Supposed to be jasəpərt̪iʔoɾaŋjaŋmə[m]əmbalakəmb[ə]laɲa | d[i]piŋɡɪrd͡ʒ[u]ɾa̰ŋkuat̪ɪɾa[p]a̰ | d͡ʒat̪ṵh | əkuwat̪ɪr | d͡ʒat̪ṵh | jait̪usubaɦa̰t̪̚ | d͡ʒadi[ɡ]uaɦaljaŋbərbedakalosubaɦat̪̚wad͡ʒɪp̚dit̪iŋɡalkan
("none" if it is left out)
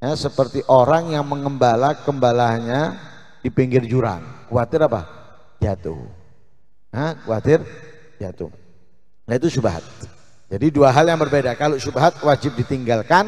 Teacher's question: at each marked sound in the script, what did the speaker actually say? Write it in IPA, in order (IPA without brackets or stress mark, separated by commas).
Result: ŋ, a, i, u, p, d